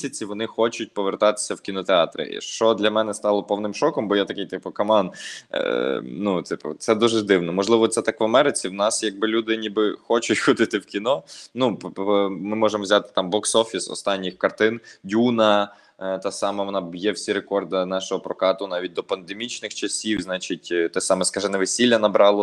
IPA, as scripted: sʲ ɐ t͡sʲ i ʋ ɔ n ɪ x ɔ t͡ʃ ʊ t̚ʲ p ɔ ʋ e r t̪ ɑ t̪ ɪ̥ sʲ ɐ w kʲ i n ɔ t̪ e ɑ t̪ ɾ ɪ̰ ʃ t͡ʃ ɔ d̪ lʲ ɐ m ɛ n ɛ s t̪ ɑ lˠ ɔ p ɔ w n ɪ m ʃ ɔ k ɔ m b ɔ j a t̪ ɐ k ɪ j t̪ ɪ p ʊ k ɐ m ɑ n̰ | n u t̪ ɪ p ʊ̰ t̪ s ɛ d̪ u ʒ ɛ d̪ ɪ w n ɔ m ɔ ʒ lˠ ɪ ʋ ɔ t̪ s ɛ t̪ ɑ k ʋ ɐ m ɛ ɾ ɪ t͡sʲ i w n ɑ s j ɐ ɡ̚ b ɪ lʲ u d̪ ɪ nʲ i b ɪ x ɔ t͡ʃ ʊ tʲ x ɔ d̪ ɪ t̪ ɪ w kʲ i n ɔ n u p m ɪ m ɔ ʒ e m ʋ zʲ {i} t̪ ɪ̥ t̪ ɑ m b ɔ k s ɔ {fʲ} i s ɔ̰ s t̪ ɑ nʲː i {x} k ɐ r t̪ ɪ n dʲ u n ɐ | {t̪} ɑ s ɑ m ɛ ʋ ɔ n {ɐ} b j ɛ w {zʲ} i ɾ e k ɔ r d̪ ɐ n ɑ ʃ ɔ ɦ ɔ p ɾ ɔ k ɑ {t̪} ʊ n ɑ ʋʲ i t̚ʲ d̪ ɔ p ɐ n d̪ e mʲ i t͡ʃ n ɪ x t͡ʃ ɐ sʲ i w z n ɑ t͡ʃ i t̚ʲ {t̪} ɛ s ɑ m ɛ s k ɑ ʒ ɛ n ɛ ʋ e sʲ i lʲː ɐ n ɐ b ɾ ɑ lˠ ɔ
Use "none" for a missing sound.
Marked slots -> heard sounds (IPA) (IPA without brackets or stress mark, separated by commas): a, fʲ, x, t̪, ɑ, sʲ, t̪, t̪